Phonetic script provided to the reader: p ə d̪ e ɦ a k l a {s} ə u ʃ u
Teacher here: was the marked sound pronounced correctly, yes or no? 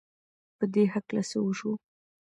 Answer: yes